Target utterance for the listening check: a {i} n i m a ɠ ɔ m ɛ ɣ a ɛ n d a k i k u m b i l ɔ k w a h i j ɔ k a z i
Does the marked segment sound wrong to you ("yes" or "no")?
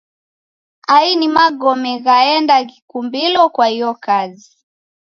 no